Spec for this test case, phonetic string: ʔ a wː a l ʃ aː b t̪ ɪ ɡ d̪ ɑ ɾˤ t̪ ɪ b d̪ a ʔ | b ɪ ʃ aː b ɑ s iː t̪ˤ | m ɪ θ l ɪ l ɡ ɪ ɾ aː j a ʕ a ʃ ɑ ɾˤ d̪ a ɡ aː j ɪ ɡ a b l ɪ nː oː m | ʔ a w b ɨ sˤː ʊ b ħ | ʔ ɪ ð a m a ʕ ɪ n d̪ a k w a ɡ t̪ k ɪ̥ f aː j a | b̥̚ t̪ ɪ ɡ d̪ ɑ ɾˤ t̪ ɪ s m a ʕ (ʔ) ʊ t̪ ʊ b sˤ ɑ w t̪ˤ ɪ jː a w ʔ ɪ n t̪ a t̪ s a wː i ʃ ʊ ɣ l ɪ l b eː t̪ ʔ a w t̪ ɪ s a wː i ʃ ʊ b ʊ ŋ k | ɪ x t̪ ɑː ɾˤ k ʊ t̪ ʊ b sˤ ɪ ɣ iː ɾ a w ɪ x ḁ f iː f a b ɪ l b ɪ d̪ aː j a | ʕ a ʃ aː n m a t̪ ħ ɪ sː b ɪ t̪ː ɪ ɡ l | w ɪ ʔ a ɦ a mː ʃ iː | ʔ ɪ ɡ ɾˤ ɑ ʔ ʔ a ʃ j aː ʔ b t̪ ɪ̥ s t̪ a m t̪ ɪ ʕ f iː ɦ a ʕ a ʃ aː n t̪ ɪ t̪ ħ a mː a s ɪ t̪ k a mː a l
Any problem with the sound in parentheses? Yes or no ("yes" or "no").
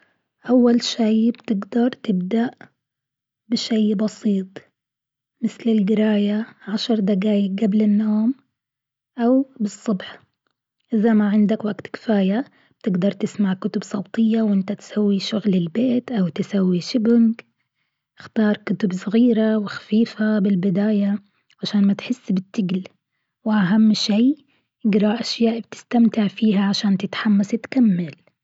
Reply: yes